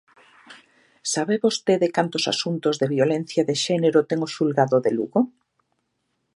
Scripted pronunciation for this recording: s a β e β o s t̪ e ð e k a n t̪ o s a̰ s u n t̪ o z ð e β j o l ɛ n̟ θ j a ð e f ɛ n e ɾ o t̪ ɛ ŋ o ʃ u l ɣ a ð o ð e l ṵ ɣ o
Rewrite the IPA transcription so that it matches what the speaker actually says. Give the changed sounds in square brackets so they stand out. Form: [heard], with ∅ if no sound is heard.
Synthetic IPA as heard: s a β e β o s t̪ e ð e k a n t̪ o s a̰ s u n t̪ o z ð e β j o l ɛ n̟ θ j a ð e [ʃ] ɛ n e ɾ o t̪ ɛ ŋ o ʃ u l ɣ a ð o ð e l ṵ ɣ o